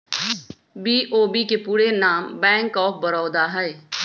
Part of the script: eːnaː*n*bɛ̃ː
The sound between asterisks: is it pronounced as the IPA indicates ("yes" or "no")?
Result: no